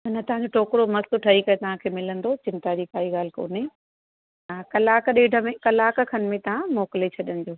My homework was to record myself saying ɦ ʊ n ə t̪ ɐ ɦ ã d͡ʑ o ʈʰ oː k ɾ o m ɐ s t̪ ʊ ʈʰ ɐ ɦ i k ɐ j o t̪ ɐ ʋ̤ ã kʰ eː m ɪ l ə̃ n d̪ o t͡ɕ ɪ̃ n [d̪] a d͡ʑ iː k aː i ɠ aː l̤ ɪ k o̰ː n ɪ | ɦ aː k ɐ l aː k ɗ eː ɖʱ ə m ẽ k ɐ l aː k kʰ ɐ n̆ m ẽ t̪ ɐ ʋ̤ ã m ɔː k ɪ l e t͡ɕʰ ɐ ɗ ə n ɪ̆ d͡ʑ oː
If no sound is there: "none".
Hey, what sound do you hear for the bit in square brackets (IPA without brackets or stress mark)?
t̪